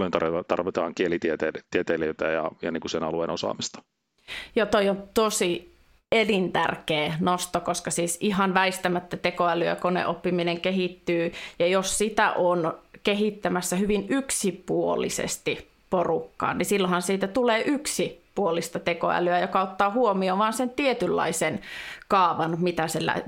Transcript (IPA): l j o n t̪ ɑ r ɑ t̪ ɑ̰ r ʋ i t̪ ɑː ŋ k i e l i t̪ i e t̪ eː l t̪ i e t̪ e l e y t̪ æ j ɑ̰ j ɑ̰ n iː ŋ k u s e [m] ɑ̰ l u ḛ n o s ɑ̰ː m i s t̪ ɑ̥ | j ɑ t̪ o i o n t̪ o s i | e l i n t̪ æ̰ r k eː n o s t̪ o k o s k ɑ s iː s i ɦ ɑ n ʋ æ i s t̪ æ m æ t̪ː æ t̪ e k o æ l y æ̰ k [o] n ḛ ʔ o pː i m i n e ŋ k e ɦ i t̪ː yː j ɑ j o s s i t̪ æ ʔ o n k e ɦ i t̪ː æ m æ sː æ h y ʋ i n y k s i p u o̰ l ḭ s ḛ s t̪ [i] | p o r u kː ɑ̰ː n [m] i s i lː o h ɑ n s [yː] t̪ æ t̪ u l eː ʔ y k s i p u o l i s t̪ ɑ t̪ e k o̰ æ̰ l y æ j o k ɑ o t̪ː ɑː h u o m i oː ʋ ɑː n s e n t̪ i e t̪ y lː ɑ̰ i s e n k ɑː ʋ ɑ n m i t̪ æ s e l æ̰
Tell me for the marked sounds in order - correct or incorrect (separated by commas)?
incorrect, correct, correct, incorrect, incorrect